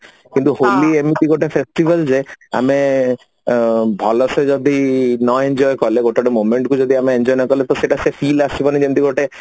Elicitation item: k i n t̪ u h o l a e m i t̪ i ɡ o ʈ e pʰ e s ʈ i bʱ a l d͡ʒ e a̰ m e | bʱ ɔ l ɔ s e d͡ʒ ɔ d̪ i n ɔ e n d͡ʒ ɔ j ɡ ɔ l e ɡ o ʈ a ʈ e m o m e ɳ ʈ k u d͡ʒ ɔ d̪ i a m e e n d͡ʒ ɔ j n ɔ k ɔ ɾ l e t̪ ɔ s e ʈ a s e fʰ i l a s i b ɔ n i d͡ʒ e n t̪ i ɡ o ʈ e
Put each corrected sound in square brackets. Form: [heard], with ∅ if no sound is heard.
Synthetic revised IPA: k i n t̪ u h o l [i] e m i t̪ i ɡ o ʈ e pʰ e s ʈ i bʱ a l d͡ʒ e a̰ m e | bʱ ɔ l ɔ s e d͡ʒ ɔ d̪ i n ɔ e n d͡ʒ ɔ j [k] ɔ l e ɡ o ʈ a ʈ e m o m e ɳ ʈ k u d͡ʒ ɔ d̪ i a m e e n d͡ʒ ɔ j n ɔ k ɔ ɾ l e t̪ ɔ s e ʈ a s e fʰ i l a s i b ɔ n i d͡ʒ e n t̪ i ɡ o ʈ e